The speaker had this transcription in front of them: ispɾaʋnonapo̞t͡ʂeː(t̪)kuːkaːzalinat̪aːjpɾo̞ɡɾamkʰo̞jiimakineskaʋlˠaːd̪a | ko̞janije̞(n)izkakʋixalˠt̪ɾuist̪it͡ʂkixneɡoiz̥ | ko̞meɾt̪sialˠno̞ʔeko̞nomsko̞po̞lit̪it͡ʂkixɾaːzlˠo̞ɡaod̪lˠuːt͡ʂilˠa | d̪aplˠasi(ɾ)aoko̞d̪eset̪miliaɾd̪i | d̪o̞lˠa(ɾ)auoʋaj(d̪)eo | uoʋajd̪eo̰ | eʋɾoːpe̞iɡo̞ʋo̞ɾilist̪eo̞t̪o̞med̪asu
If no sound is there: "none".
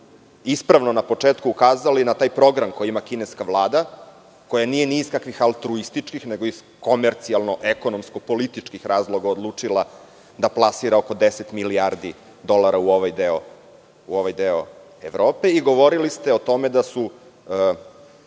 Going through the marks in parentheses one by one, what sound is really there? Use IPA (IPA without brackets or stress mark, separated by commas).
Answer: t̪, n, ɾ, ɾ, d̪